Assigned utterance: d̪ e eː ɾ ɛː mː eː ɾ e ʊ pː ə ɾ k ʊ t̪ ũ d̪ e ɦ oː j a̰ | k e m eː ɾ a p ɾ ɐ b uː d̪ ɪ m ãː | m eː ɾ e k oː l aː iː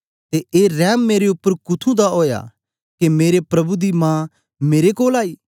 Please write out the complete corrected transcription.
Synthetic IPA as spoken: t̪ e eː ɾ ɛː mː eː ɾ e ʊ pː ə ɾ k ʊ t̪ʰ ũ d̪ a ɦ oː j a̰ | k e m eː ɾ e p ɾ ɐ b u d̪ i m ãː | m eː ɾ e k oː l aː iː

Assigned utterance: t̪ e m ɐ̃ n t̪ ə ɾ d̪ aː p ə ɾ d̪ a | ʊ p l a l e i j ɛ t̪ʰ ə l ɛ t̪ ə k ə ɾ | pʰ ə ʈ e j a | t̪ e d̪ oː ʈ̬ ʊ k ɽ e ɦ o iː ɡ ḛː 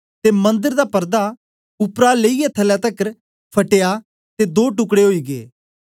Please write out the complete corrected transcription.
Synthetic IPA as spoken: t̪ e m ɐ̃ n d̪ ə ɾ d̪ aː p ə ɾ d̪ a | ʊ p ɾ a l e i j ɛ t̪ʰ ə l ɛ t̪ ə k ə ɾ | pʰ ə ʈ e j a | t̪ e d̪ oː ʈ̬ ʊ k ɽ e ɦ o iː ɡ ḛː

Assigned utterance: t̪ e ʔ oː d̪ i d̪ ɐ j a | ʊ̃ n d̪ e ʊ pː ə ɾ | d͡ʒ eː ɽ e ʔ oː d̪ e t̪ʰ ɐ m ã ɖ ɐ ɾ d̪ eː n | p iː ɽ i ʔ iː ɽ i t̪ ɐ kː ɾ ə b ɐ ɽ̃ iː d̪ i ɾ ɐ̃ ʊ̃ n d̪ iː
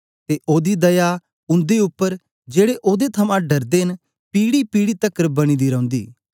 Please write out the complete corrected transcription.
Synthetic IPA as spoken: t̪ e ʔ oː d̪ i d̪ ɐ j a | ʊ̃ n d̪ e ʊ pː ə ɾ | d͡ʒ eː ɽ e ʔ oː d̪ e t̪ʰ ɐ m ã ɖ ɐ ɾ d̪ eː n | p iː ɽ i p iː ɽ i t̪ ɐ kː ɾ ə b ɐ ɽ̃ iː d̪ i ɾ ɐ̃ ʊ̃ n d̪ iː

